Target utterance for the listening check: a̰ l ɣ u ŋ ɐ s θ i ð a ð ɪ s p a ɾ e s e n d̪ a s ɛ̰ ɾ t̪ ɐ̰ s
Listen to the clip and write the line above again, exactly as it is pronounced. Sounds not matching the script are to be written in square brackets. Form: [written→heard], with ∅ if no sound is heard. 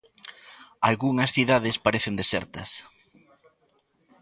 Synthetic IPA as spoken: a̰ l ɣ u ŋ ɐ s θ i ð a ð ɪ s p a ɾ e [s→θ] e n d̪ [a→e] s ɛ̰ ɾ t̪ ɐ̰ s